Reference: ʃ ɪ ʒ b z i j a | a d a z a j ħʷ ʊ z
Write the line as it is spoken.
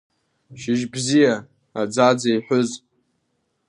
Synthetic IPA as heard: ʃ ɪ ʒ b z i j a | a d͡z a d͡z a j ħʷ ʊ z

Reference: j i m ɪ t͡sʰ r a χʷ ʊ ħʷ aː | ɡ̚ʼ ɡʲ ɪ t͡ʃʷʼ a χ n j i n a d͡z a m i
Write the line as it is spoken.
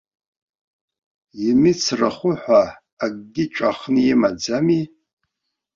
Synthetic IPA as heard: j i m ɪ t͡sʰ r a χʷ ʊ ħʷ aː | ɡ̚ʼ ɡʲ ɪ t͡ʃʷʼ a χ n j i m a d͡z a m i

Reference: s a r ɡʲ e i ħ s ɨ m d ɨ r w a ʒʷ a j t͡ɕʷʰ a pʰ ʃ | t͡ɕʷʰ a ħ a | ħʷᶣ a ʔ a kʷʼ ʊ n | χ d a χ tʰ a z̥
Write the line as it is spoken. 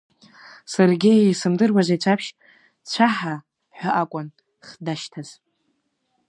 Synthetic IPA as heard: s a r ɡʲ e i s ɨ m d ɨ r w a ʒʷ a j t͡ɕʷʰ a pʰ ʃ | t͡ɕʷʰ a ħ a | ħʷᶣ a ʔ a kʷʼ ʊ n | χ d a ʃ tʰ a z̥

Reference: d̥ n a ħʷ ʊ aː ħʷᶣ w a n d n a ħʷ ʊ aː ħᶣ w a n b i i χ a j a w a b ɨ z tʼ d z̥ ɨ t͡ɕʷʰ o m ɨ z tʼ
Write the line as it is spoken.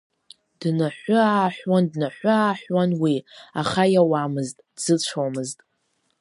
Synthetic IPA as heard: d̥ n a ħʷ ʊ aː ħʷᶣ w a n d n a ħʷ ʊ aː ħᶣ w a n w i a χ a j a w a m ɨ z tʼ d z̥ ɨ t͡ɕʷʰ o m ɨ z tʼ

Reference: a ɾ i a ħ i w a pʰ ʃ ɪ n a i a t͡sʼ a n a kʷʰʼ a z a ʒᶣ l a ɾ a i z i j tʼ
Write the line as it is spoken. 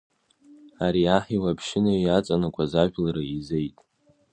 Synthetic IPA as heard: a ɾ i a ħ i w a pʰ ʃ ɪ n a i a t͡sʼ a n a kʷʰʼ a z a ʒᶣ l a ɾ a i z e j tʼ

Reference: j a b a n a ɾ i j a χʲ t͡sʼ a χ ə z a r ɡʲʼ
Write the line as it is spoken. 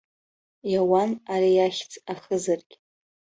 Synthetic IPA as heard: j a w a n a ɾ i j a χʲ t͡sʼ a χ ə z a r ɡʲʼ

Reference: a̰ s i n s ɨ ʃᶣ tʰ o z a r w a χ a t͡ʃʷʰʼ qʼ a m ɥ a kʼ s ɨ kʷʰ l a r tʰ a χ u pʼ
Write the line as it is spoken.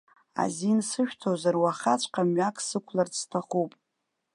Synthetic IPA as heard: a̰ z i n s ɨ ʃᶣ tʰ o z a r w a χ a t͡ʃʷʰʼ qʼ a m ɥ a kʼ s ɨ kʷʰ l a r tʰ a χ u pʼ

